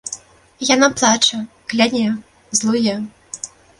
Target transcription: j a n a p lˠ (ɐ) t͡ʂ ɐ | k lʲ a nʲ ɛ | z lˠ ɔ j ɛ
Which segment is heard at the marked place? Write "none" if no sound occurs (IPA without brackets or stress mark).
a